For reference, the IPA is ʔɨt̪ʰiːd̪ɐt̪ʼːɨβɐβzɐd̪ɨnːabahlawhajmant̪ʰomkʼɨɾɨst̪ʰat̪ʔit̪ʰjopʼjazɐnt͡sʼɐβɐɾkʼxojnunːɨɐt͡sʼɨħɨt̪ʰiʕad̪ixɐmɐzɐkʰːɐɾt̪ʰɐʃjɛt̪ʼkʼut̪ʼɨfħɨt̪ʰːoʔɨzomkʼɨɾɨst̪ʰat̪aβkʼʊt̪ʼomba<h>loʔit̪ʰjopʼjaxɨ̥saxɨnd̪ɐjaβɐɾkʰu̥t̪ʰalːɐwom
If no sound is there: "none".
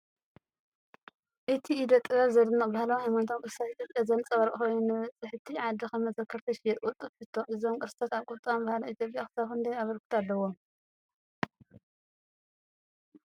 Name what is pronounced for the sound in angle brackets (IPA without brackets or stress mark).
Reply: h